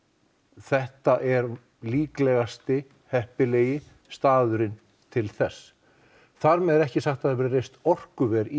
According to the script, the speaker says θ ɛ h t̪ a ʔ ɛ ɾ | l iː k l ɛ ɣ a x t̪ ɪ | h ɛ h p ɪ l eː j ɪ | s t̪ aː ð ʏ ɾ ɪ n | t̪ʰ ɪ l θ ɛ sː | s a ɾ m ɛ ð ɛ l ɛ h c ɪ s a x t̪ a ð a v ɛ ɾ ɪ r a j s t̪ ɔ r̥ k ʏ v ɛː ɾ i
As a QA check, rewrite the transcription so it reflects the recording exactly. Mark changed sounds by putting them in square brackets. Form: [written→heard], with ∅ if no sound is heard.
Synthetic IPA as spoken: θ ɛ h t̪ a ʔ ɛ ɾ | l iː k l ɛ ɣ a [x→s] t̪ ɪ | h ɛ h p ɪ l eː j ɪ | s t̪ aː ð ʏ ɾ ɪ n | t̪ʰ ɪ l θ ɛ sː | [s→θ] a ɾ m ɛ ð ɛ [l→ɾ] ɛ h c ɪ s a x t̪ a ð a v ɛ ɾ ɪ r [a→e] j s t̪ ɔ r̥ k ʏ v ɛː ɾ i